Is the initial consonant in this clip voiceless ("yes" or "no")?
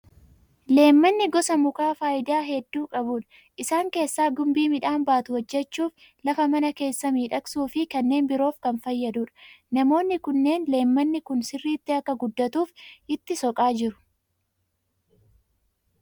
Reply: no